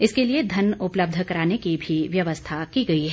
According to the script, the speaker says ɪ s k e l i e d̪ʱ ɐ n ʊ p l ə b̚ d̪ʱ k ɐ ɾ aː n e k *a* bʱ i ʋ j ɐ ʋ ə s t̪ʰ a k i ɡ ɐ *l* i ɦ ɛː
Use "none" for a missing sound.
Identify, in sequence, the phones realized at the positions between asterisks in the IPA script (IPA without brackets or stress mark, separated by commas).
i, none